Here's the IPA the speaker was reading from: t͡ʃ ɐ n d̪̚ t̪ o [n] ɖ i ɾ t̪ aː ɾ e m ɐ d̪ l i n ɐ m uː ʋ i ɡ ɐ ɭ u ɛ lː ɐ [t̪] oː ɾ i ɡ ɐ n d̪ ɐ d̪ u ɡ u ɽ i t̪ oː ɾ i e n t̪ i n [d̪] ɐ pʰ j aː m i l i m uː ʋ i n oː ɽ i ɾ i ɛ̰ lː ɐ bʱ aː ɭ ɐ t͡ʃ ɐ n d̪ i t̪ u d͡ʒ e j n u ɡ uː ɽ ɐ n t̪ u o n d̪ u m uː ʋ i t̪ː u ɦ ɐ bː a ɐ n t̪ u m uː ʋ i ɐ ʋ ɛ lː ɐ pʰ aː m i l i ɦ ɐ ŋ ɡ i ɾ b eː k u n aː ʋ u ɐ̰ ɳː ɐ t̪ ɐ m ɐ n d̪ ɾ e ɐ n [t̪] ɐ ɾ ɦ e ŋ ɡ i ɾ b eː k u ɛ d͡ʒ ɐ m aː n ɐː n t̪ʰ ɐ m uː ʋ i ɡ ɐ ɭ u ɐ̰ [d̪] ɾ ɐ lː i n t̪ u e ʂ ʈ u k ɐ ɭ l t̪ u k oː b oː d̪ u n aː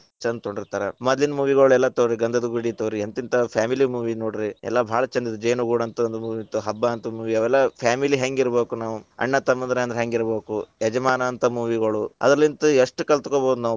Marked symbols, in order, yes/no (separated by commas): no, yes, no, no, yes